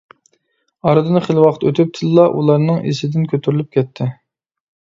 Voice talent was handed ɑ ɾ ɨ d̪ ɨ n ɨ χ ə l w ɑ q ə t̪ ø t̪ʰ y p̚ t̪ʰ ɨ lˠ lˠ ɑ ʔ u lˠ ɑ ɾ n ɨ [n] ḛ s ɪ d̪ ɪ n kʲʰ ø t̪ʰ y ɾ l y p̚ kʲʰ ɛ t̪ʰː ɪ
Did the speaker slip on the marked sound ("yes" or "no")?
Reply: yes